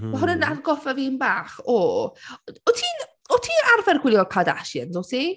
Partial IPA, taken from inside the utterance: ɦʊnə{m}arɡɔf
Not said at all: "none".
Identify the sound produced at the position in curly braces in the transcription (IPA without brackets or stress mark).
n